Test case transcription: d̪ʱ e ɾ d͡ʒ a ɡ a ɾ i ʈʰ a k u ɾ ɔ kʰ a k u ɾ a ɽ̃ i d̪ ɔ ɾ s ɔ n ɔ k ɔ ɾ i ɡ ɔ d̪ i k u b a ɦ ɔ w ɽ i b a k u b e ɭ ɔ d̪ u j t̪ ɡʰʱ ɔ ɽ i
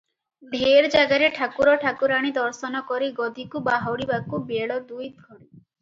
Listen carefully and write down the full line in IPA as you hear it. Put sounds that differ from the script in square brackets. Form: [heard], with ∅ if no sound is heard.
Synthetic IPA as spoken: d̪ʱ e ɾ d͡ʒ a ɡ a ɾ [e] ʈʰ a k u ɾ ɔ [ʈʰ] a k u ɾ a ɽ̃ i d̪ ɔ ɾ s ɔ n ɔ k ɔ ɾ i ɡ ɔ d̪ i k u b a ɦ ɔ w ɽ i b a k u b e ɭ ɔ d̪ u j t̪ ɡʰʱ ɔ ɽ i